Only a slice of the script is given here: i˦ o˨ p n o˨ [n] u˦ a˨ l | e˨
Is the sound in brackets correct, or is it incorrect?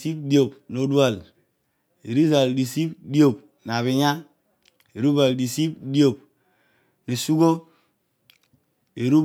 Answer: incorrect